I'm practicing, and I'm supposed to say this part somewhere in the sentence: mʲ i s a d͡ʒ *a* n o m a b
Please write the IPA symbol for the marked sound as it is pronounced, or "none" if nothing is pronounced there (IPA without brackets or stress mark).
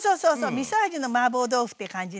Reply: i